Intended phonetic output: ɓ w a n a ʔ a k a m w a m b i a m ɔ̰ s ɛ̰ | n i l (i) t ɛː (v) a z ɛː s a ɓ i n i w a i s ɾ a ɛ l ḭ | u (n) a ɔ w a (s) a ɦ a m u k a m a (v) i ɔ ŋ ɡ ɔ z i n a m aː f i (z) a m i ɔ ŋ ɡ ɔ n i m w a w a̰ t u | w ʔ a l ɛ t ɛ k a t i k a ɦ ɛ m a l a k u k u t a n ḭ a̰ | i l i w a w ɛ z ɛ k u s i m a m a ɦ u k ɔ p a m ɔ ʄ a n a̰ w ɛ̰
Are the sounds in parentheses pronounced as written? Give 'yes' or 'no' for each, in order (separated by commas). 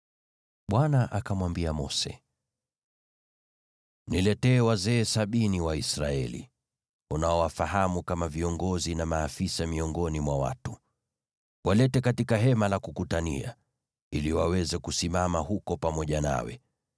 no, no, yes, no, yes, no